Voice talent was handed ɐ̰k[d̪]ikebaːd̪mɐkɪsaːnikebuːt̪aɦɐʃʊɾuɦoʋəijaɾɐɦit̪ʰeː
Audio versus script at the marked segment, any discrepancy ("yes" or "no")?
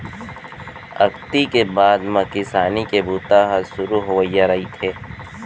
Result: yes